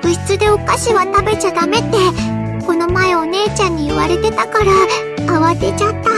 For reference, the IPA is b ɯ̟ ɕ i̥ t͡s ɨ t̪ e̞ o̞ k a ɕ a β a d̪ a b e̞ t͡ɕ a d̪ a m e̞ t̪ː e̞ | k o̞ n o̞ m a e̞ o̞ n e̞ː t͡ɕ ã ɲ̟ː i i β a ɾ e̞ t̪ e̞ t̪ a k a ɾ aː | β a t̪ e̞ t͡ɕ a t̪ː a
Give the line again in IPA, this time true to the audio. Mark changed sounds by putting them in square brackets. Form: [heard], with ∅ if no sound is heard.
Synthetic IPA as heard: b ɯ̟ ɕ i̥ t͡s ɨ [d̪] e̞ o̞ k a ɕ [i] β a [t̪] a b e̞ t͡ɕ a d̪ a m e̞ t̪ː e̞ | k o̞ n o̞ m a e̞ o̞ n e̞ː t͡ɕ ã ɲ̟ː i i β a ɾ e̞ t̪ e̞ t̪ a k a ɾ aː | β a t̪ e̞ t͡ɕ a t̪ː a